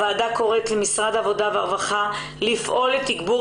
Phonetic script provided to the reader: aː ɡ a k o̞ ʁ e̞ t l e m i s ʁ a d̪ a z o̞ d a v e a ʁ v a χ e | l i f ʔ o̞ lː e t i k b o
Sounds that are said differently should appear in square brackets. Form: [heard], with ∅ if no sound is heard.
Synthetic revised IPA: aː [d] a k o̞ ʁ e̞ t l e m i s ʁ a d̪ a [v] o̞ d a v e a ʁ v a χ [a] | l i f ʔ o̞ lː e t i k b [u]